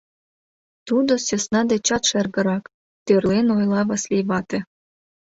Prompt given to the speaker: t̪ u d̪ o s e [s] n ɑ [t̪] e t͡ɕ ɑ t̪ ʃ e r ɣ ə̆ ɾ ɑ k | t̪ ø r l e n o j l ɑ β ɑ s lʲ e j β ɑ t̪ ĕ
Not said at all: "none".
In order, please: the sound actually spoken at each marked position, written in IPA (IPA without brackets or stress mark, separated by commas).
s, d̪